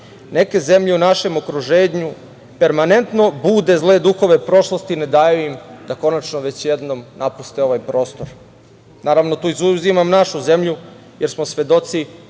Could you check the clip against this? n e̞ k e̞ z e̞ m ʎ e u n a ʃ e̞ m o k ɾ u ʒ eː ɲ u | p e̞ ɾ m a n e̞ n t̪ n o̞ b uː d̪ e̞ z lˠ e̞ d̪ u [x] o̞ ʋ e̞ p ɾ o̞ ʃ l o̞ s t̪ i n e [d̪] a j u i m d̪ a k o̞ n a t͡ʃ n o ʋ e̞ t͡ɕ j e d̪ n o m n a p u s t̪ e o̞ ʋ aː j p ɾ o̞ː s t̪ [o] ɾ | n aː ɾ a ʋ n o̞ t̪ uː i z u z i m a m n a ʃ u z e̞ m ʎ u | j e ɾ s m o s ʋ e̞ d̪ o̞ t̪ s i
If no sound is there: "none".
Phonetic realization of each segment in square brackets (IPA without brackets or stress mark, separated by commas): x, d̪, o